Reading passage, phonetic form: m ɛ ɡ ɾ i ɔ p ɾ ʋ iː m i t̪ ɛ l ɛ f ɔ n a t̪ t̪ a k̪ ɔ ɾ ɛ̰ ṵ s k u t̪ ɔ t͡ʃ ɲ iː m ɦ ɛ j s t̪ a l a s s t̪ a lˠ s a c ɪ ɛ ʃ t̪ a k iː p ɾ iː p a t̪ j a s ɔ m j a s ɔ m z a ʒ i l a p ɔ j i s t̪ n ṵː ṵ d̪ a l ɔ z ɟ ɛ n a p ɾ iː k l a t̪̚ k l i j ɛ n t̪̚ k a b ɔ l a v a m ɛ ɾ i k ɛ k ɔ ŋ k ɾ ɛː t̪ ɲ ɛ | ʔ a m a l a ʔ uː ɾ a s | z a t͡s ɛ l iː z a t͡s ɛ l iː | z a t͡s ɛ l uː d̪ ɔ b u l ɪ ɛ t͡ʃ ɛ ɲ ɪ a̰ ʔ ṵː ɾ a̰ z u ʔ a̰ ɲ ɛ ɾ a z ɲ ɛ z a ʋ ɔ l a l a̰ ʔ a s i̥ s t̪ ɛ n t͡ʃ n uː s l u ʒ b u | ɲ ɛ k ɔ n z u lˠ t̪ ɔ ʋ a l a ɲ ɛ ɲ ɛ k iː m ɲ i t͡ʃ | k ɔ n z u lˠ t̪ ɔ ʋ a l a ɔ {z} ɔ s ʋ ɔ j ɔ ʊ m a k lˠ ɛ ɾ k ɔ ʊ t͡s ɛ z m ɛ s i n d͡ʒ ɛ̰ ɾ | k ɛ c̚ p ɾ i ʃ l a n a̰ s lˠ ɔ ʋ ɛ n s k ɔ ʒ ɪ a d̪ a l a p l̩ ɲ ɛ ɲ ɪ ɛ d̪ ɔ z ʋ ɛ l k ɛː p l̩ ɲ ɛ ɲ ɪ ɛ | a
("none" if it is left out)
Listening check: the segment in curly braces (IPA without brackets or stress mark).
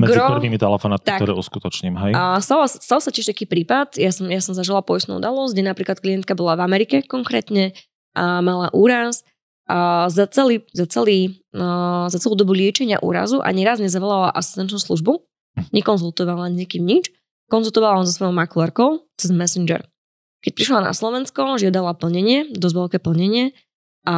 z